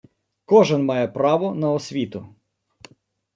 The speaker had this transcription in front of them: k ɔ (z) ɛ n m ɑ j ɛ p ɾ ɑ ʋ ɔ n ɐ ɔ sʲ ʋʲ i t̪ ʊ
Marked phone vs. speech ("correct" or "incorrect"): incorrect